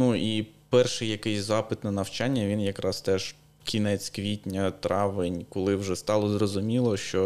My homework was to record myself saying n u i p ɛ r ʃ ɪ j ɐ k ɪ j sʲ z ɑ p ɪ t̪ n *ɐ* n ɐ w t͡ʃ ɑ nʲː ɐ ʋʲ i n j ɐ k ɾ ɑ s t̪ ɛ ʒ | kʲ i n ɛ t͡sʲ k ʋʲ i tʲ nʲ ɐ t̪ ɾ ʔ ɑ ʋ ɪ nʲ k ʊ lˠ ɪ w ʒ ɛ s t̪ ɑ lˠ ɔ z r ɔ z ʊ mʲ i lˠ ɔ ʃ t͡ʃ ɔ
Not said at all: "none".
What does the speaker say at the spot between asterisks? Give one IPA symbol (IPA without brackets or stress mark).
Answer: ɐ